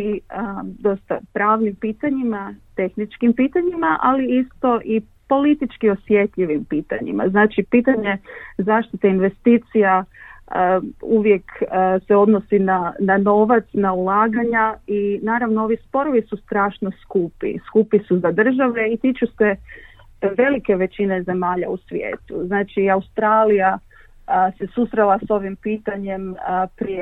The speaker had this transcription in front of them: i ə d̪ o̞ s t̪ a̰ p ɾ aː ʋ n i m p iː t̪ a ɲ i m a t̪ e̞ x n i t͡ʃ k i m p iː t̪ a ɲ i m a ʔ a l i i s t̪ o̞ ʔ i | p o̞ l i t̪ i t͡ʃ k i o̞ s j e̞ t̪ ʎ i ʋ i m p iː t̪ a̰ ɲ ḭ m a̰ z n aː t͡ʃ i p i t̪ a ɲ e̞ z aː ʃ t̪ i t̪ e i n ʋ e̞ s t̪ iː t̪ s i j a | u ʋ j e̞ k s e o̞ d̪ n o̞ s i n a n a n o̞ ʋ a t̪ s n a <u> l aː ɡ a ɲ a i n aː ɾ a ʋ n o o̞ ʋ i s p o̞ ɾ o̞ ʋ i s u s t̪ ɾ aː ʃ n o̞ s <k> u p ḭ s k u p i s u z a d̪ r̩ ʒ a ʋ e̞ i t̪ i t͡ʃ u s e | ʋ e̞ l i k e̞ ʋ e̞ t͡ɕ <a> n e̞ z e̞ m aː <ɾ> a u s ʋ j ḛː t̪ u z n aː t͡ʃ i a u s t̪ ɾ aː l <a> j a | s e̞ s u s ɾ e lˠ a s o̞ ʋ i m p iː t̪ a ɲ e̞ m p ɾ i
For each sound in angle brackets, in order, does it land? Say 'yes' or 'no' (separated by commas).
yes, yes, no, no, no